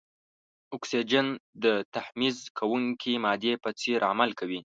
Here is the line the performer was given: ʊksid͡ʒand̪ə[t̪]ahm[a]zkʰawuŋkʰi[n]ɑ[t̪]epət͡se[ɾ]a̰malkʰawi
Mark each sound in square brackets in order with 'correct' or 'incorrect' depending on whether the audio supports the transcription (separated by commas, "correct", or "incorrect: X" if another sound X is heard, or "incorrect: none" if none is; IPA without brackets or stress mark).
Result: correct, incorrect: i, incorrect: m, incorrect: d̪, correct